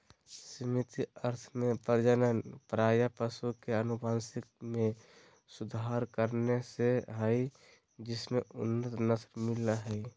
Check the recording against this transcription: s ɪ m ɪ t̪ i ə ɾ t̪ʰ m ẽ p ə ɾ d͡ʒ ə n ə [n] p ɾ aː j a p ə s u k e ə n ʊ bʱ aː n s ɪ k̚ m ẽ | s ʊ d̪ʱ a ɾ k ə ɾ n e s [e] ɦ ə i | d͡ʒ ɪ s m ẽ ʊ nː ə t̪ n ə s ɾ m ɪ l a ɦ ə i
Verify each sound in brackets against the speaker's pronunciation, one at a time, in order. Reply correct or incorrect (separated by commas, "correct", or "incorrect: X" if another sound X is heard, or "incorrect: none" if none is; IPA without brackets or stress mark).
correct, correct